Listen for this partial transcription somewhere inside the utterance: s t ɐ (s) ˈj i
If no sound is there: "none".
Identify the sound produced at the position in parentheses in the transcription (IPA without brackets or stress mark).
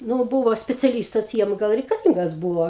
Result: s